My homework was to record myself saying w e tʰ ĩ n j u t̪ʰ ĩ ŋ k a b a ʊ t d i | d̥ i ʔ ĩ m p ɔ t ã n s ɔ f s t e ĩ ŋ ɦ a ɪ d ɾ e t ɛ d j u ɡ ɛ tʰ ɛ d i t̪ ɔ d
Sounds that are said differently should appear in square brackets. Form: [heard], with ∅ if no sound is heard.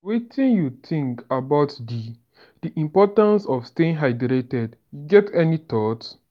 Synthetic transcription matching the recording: w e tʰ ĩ n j u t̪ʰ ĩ ŋ k a b a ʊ t d i | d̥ i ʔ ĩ m p ɔ t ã n s ɔ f s t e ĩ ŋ ɦ a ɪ d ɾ e t ɛ d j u ɡ ɛ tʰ ɛ [n] i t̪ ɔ [t]